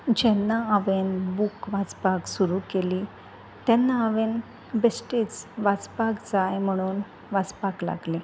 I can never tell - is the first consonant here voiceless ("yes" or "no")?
no